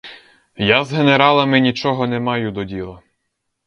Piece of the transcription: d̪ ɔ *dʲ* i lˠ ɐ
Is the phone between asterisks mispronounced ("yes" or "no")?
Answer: no